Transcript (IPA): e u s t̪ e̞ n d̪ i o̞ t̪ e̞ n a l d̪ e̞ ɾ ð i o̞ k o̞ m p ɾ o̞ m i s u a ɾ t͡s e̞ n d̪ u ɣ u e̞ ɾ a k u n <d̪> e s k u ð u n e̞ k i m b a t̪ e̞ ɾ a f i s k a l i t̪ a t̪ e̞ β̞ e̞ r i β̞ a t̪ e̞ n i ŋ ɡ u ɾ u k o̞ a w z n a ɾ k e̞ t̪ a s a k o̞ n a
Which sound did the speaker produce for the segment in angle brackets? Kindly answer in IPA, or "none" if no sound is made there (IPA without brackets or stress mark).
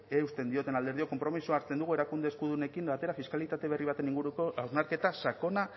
d̪